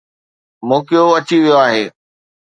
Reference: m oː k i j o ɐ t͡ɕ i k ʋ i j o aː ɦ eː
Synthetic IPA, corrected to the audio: m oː k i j o ɐ t͡ɕ i ʋ i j o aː ɦ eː